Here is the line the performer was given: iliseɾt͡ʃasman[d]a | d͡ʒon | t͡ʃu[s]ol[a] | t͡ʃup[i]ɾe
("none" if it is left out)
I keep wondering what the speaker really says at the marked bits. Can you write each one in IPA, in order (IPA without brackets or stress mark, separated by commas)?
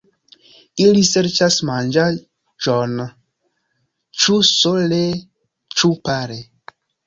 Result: d͡ʒ, s, e, a